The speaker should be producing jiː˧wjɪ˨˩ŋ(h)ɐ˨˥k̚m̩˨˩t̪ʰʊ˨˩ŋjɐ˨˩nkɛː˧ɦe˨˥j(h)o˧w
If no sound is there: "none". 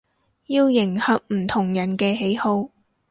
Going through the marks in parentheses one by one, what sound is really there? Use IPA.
h, h

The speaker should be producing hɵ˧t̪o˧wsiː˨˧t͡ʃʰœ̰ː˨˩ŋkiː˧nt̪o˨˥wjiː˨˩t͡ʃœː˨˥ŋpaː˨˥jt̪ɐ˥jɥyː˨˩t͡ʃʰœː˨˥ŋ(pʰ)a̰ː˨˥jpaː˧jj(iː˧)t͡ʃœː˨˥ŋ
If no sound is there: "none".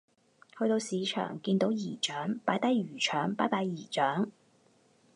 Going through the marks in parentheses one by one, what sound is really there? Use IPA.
p, iː˨˩

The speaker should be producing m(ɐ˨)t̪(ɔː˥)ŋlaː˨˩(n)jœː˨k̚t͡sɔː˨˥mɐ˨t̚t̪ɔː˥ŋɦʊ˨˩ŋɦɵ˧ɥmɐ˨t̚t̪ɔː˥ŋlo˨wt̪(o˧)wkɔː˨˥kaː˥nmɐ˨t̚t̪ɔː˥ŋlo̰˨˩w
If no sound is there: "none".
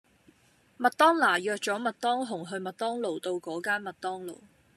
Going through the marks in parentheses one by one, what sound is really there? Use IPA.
ɐ˨, ɔː˥, none, o˧

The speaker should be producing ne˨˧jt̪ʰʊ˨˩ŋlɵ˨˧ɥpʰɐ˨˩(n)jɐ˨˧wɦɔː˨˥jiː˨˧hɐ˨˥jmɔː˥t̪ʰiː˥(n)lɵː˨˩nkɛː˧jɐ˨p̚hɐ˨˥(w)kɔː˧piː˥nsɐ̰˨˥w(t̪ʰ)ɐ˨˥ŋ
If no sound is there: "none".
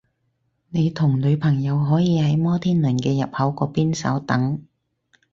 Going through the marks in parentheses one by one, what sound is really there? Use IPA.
ŋ, n, w, t̪

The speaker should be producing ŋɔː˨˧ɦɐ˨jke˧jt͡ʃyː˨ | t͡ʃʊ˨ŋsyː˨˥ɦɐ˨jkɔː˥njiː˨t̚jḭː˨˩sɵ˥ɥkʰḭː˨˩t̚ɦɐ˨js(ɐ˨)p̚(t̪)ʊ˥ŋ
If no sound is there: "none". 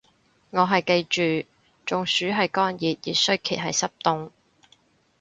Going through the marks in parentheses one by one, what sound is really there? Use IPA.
ɐ˥, t̪

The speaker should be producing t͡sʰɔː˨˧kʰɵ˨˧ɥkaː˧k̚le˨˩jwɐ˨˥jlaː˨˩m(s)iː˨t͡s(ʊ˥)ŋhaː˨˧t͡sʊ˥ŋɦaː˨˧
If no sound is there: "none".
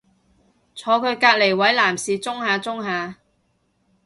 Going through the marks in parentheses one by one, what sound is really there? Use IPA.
s, ʊ˥

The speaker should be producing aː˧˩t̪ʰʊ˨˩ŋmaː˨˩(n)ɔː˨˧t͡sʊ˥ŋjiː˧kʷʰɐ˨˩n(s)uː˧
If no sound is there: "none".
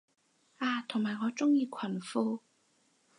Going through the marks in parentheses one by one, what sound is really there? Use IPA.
ŋ, f

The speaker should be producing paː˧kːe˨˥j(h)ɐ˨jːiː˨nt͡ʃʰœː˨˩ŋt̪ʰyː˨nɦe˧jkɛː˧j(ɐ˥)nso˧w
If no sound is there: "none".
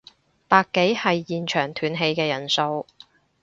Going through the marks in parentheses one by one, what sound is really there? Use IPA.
h, ɐ˨˩

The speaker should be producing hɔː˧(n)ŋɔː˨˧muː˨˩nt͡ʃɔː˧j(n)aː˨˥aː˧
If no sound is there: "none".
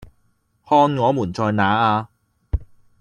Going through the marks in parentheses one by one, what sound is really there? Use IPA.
n, n

